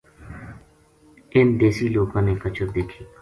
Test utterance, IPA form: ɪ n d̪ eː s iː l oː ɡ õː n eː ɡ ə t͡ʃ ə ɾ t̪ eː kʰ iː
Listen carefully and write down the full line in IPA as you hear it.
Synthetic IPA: ɪ n d̪ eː s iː l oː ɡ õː n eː k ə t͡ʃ ə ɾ d̪ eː kʰ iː